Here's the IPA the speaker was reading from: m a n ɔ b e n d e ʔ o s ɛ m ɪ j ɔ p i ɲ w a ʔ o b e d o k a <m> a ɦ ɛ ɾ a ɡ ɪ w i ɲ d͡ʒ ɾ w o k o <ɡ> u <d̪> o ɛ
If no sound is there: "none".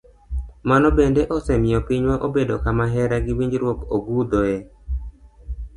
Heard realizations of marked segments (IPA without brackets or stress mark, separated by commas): m, ɡ, d̪